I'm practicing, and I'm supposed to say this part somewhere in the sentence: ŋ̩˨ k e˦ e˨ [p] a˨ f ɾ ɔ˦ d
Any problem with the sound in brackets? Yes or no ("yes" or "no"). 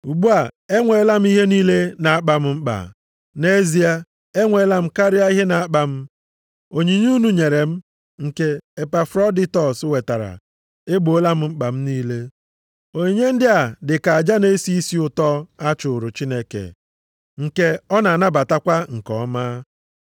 no